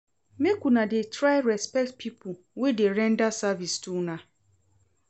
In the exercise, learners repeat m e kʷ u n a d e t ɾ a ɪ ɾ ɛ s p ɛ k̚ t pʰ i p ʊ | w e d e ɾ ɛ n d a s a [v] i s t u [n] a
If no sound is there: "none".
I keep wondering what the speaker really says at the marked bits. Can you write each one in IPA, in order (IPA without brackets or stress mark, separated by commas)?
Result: v, n